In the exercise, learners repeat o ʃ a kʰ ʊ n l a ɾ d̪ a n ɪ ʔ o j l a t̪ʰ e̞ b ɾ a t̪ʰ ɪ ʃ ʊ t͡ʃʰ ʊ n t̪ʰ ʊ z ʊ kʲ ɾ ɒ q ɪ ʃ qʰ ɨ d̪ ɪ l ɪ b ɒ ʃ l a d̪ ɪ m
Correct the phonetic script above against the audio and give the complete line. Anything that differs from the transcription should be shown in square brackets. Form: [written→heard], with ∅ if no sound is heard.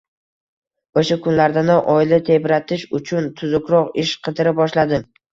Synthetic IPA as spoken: o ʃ a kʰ ʊ n l a ɾ d̪ a n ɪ ʔ [o→ɒ] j l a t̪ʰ e̞ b ɾ a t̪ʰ ɪ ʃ ʊ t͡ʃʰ ʊ n t̪ʰ ʊ z ʊ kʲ ɾ ɒ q ɪ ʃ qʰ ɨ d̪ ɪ [l→ɾ] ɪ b ɒ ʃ l a d̪ ɪ m